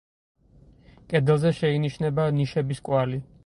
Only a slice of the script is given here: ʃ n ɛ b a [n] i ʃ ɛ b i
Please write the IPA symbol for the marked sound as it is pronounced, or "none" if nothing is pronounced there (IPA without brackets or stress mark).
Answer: n